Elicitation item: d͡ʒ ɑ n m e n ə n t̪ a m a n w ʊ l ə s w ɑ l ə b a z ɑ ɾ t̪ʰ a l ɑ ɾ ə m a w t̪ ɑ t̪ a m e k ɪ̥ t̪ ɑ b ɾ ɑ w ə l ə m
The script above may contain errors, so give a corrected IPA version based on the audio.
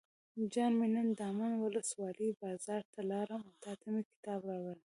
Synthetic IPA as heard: d͡ʒ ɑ n m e n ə n d̪ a m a n w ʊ l ə s w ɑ l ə b ɑ z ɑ ɾ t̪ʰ a l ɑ ɾ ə m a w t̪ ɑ t̪ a m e k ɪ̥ t̪ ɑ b ɾ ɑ w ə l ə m